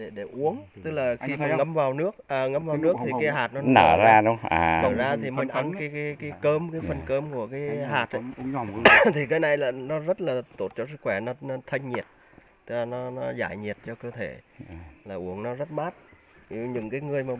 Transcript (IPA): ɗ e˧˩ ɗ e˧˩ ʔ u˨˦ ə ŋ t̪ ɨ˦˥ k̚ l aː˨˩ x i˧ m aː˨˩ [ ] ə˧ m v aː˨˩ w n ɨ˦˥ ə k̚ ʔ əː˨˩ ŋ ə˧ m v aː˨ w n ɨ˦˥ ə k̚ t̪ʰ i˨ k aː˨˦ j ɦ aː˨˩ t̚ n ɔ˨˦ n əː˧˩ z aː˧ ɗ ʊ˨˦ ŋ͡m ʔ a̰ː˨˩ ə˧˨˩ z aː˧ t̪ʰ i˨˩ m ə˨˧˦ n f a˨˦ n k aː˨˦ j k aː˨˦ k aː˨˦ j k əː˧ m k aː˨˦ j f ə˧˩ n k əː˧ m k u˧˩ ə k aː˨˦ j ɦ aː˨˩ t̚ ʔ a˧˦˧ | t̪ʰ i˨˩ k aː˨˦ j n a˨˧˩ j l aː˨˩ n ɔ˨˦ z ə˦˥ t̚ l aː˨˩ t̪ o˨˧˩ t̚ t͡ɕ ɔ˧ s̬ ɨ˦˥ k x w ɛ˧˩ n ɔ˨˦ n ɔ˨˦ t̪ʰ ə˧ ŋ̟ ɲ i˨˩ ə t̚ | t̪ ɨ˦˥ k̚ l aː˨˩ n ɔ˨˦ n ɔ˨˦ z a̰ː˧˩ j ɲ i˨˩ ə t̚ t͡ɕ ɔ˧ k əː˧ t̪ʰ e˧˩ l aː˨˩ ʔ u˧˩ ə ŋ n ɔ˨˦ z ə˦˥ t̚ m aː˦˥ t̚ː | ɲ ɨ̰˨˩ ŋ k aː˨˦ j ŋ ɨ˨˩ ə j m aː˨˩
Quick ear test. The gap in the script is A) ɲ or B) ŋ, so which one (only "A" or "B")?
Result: B